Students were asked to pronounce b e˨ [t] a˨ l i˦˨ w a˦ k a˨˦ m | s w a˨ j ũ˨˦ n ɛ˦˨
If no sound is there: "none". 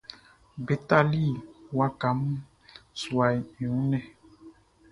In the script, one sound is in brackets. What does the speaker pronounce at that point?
t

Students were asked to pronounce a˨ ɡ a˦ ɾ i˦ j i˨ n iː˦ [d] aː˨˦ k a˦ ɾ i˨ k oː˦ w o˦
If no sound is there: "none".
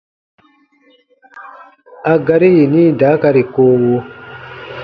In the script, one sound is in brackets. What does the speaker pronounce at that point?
d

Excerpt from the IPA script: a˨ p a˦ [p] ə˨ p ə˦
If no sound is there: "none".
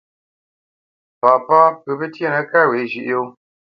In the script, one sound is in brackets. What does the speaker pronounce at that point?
p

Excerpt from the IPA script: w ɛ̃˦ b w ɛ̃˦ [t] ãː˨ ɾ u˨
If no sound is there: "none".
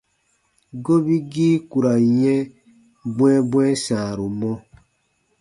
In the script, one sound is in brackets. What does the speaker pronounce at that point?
s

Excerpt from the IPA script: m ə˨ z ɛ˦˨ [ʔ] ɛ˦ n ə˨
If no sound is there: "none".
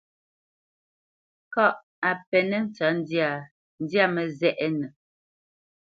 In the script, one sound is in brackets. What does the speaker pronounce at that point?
ʔ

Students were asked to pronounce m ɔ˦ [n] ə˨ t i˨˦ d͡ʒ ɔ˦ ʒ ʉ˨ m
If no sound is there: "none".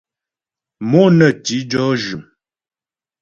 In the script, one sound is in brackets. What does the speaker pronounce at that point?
n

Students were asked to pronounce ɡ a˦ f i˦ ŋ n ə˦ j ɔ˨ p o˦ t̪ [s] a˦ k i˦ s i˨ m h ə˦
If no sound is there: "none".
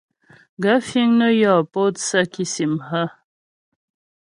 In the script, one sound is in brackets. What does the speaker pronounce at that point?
s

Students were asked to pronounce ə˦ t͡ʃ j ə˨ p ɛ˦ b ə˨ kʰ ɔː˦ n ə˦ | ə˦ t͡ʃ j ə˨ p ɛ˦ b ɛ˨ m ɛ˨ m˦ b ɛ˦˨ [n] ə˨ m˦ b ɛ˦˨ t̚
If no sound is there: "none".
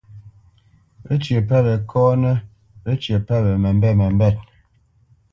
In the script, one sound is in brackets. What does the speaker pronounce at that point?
m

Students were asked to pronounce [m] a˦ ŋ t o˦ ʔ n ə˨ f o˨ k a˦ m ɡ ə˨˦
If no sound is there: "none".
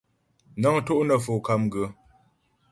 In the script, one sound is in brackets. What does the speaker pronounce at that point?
n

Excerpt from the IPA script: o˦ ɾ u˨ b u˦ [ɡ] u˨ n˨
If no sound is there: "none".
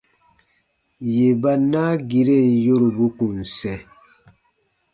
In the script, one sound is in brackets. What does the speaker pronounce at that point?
k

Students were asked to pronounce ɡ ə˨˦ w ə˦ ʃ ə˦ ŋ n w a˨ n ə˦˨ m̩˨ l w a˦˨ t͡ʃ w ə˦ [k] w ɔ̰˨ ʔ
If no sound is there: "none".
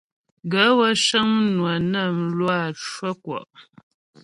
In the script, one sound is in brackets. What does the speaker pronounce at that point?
k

